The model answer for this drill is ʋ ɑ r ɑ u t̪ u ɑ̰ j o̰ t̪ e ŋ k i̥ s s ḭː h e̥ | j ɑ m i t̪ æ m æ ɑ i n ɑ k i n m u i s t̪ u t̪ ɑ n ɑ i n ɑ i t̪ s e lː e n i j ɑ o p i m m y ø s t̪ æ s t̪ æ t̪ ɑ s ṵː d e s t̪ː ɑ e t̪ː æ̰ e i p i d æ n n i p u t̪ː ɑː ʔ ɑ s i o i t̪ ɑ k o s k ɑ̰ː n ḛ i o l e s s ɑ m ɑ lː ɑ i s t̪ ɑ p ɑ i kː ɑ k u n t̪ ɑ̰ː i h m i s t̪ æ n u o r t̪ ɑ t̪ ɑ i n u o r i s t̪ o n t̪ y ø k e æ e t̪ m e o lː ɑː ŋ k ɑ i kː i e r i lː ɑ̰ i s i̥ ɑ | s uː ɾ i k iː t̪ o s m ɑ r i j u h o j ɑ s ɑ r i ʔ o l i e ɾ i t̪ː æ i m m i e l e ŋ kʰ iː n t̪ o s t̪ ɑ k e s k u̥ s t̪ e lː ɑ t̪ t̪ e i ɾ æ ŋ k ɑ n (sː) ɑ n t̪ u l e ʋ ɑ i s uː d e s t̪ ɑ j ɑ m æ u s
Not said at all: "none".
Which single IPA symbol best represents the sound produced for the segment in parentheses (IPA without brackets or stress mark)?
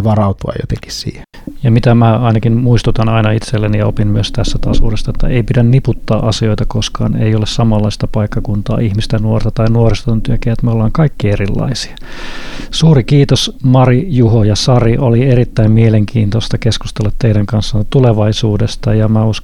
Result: sː